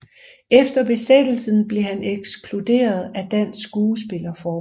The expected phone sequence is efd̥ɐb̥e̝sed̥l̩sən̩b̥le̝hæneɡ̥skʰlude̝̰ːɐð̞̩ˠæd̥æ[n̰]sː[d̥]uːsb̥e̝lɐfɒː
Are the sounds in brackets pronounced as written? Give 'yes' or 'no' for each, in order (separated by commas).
yes, no